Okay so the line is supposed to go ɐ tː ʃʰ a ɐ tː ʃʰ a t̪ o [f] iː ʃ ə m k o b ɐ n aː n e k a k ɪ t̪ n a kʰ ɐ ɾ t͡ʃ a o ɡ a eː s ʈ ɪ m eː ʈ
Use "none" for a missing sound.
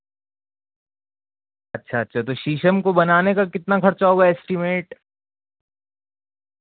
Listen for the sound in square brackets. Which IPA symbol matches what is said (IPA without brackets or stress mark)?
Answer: ʃ